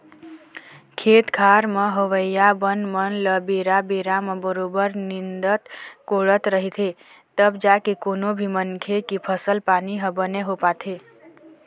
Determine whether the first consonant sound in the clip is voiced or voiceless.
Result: voiceless